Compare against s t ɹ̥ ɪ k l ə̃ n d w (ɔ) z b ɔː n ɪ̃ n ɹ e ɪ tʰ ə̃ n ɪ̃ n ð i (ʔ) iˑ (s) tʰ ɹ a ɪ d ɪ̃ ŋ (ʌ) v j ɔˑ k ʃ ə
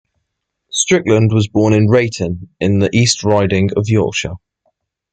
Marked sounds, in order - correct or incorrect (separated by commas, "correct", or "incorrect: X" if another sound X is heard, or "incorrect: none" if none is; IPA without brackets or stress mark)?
incorrect: ɒ, correct, correct, incorrect: ə